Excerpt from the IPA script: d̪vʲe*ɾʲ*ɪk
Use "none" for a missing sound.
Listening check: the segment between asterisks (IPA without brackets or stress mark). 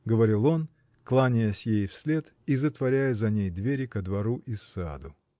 ɾʲ